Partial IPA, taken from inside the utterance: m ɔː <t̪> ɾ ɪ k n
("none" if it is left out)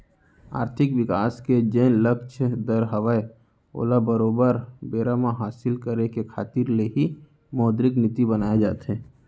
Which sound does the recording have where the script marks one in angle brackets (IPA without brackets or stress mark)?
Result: d̪